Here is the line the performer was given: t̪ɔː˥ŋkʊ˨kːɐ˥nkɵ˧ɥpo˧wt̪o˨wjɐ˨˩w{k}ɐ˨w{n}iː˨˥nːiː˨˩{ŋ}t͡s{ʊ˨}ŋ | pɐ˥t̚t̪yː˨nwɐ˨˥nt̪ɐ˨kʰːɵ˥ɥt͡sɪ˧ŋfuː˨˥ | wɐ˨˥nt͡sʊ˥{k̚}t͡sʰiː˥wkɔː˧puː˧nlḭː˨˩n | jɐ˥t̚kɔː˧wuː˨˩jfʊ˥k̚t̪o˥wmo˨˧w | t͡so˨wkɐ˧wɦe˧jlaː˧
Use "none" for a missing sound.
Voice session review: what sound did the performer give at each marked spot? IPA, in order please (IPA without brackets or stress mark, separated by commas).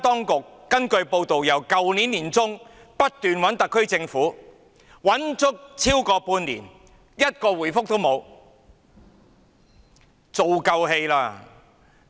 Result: k, n, n, ʊ˥, k̚